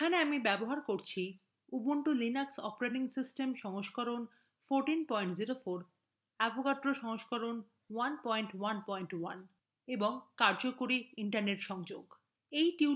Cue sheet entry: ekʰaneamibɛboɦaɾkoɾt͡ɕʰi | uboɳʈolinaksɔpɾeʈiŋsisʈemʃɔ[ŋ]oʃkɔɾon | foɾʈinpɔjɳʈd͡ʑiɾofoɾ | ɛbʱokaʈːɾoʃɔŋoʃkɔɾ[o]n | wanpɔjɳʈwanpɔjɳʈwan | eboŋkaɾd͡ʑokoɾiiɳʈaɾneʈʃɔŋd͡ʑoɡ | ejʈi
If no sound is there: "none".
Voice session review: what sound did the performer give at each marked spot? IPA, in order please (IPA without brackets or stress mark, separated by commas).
ŋ, o